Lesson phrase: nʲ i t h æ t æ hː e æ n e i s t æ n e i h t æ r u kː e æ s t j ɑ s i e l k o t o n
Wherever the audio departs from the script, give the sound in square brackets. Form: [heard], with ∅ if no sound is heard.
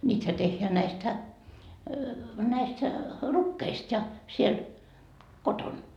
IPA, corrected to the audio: nʲ [iː] t h æ t [e] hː e æ n [æ] i s t æ n [æ] i [s] t æ r u kː e [i] s t j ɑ s i e l k o t o n